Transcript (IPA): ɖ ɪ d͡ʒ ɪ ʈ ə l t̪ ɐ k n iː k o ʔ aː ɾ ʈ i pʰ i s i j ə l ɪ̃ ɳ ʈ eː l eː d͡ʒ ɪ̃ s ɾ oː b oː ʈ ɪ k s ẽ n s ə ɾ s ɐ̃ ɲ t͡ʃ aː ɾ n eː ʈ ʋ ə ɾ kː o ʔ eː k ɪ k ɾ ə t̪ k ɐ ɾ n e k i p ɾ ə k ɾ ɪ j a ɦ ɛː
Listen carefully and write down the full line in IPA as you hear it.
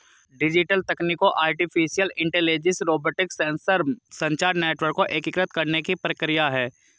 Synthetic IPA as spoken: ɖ ɪ d͡ʒ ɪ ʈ ə l t̪ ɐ k n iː k o ʔ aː ɾ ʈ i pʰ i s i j ə l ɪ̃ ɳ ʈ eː l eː d͡ʒ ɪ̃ s ɾ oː b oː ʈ ɪ k s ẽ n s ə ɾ s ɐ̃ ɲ t͡ʃ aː ɾ n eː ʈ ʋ ə ɾ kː o ʔ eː k ɪ k ɾ ə t̪ k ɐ ɾ n e k i p ɾ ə k ɾ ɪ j a ɦ ɛː